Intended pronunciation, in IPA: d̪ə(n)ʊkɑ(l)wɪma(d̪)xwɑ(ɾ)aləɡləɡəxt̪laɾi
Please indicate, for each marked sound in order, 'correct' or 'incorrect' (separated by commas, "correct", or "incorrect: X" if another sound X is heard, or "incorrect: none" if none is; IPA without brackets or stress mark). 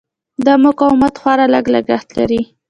incorrect: m, incorrect: none, incorrect: t̪, correct